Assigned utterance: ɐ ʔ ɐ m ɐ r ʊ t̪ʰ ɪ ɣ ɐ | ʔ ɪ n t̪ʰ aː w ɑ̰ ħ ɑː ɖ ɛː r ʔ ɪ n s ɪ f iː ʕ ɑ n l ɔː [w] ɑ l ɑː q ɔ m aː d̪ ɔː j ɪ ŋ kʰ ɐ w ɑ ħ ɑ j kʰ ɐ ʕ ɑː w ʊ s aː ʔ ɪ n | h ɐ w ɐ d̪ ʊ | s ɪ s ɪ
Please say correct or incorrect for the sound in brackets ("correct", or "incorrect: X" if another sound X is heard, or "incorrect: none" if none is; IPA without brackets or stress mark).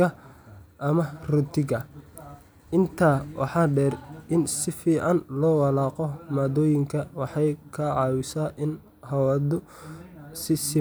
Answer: correct